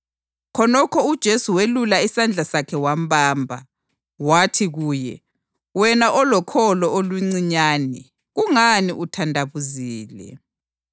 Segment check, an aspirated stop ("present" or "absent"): present